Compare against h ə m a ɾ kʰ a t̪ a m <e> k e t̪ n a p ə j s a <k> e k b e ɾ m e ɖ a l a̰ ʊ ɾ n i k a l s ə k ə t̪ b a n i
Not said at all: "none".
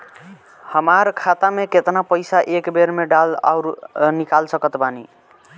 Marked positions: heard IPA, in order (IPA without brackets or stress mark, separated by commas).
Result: e, ʔ